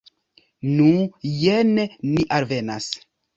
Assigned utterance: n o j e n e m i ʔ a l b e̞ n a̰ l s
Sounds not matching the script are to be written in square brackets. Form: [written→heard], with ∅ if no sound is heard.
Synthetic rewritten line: n [o→u] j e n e [m→n] i ʔ a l [b→v] e̞ n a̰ [l→∅] s

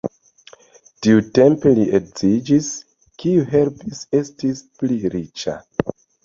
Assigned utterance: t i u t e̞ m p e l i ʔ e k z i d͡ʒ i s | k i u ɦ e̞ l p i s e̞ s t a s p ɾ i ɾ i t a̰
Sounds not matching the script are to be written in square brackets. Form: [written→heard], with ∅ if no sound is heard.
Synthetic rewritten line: t i u t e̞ m p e l i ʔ e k z i d͡ʒ i s | k i u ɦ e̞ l p i s e̞ s t [a→i] s p [ɾ→l] i ɾ i [t→t͡ʃ] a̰

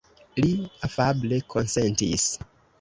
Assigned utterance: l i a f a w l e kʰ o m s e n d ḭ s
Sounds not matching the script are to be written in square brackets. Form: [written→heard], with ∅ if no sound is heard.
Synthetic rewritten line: l i a f a [w→b] l e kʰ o [m→n] s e n [d→t] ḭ s

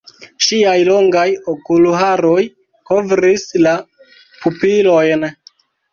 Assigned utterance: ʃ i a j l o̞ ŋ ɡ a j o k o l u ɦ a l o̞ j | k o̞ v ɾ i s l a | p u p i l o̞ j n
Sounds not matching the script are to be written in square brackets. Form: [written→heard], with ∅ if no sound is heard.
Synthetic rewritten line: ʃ i a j l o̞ ŋ ɡ a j o k [o→u] l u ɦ a [l→ɾ] o̞ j | k o̞ v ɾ i s l a | p u p i l o̞ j n

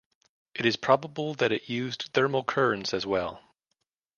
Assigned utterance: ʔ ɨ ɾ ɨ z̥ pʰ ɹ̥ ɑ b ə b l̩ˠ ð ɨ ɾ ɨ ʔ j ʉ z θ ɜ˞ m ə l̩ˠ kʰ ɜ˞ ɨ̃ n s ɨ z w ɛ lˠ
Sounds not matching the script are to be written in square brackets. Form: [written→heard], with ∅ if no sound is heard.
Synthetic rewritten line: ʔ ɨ ɾ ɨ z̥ pʰ ɹ̥ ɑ b ə b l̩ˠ ð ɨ ɾ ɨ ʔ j ʉ z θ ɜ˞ m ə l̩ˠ kʰ ɜ˞ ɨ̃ n s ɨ z w ɛ lˠ

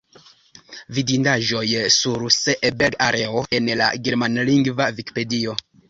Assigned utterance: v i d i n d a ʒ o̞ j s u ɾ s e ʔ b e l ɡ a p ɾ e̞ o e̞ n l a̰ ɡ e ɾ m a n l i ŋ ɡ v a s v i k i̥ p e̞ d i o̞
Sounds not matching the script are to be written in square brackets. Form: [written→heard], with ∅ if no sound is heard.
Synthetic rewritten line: v i d i n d a ʒ o̞ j s u ɾ s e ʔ b e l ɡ a [p→∅] ɾ e̞ o e̞ n l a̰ ɡ e ɾ m a n l i ŋ ɡ v a [s→∅] v i k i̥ p e̞ d i o̞

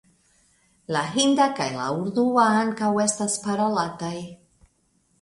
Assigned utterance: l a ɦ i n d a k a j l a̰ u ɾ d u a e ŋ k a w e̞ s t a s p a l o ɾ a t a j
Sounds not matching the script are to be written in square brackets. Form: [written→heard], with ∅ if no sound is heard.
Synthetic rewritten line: l a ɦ i n d a k a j l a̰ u ɾ d u a [e→a] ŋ k a w e̞ s t a s p a [l→ɾ] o [ɾ→l] a t a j

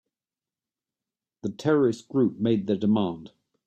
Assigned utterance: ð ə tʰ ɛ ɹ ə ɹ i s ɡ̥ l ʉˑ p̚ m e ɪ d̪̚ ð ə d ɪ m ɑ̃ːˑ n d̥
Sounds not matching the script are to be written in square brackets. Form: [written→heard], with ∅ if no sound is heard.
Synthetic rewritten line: ð ə tʰ ɛ ɹ ə ɹ [i→ɪ] s ɡ̥ [l→ɹ] ʉˑ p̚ m e ɪ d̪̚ ð ə d ɪ m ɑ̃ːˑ n d̥

